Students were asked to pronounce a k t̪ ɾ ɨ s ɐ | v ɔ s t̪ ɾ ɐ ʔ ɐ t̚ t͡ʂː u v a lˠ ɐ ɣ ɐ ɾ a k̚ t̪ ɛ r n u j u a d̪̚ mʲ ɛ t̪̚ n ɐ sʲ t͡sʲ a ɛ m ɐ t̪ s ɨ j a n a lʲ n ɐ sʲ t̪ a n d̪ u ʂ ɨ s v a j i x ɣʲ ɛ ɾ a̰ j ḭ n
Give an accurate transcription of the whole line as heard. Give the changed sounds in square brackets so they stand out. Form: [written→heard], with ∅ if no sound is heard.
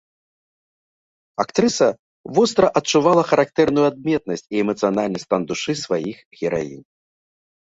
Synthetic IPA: a k t̪ ɾ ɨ s ɐ | v ɔ s t̪ ɾ ɐ ʔ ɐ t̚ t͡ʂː u v a lˠ ɐ [ɣ→x] ɐ ɾ a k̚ t̪ ɛ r n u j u a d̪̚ mʲ ɛ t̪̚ n ɐ sʲ t͡sʲ [a→i] ɛ m ɐ t̪ s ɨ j a n a lʲ n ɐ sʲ t̪ a n d̪ u ʂ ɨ s v a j i x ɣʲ ɛ ɾ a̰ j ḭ n